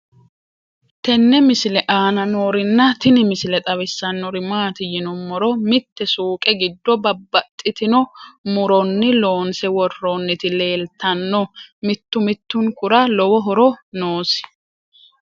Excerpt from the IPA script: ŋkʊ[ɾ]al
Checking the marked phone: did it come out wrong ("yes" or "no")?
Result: no